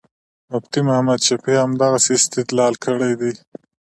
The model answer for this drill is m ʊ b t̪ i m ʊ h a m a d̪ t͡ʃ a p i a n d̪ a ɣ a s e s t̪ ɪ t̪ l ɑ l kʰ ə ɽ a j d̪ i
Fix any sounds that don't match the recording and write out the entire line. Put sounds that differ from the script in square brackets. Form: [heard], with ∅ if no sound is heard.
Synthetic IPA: m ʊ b t̪ i m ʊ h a m a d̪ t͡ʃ a p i a [m] d̪ a ɣ a s e s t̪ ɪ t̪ l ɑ l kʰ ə ɽ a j d̪ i